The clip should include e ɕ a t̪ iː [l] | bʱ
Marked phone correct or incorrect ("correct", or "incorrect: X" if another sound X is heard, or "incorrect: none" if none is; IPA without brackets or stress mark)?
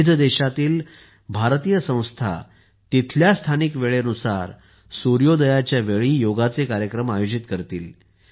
correct